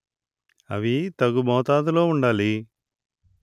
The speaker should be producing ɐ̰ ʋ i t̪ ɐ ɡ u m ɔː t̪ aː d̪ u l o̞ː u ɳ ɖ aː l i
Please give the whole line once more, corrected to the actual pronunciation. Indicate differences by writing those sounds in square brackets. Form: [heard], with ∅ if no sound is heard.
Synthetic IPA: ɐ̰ ʋ i t̪ ɐ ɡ u m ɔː t̪ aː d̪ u l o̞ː u ɳ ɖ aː l i